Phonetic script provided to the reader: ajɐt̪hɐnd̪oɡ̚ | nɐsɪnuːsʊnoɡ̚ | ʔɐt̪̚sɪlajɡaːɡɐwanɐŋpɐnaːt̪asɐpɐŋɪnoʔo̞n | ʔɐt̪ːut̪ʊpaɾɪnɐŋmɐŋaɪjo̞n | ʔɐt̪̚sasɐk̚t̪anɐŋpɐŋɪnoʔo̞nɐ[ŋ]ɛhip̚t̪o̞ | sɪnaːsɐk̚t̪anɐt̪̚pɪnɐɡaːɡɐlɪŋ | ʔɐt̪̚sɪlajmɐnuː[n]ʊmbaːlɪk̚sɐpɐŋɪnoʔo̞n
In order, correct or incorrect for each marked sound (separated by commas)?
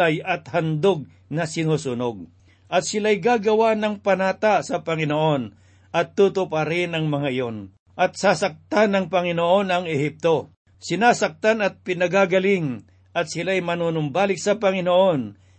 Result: correct, correct